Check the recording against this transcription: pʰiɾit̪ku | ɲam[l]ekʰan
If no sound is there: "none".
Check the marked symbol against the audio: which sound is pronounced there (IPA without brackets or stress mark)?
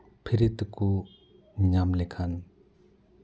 l